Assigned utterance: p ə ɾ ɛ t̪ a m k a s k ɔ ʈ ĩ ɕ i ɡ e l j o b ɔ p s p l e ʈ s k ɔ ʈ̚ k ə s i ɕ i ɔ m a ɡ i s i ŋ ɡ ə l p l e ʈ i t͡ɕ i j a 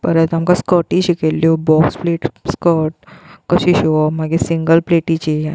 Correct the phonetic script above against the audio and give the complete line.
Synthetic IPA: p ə ɾ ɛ t̪ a m k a s k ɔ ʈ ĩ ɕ i k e l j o b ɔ k s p l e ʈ s k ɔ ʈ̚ k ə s i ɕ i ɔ m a ɡ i s i ŋ ɡ ə l p l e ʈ i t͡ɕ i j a